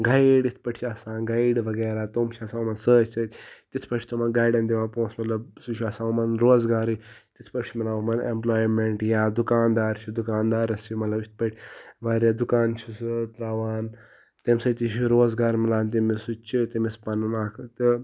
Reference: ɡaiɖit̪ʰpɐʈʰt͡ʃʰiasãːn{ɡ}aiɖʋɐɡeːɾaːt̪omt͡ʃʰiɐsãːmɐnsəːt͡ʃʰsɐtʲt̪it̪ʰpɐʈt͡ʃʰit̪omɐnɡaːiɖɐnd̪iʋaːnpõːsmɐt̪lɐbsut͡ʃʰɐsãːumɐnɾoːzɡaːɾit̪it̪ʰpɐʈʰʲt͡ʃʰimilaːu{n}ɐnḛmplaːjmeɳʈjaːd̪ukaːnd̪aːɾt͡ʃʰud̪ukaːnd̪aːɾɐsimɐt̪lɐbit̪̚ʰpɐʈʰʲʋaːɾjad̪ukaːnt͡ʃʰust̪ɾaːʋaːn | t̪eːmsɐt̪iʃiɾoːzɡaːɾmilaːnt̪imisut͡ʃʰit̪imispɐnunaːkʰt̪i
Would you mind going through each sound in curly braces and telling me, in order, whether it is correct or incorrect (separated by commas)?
correct, incorrect